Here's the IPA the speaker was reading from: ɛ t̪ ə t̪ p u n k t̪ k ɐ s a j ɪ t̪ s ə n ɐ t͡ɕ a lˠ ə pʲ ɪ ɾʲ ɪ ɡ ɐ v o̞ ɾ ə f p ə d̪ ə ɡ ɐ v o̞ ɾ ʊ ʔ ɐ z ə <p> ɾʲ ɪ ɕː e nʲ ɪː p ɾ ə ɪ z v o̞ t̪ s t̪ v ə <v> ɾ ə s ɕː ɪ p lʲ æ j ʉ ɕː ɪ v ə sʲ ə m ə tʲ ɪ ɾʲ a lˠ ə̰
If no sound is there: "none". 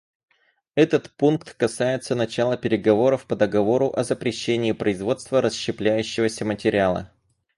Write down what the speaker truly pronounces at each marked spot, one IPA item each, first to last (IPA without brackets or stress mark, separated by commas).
p, none